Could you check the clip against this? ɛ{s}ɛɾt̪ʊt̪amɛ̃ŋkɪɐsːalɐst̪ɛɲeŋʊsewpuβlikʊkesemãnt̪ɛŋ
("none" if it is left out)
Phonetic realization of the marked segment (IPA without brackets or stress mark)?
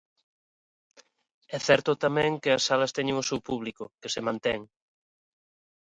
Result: θ